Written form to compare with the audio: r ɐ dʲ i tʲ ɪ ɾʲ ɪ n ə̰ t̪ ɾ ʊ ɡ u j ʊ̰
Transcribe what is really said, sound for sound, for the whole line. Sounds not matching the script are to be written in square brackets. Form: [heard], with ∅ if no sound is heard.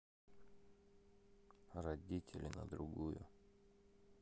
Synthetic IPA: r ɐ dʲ i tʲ ɪ [lʲ] ɪ n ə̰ [d̪] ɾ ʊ ɡ u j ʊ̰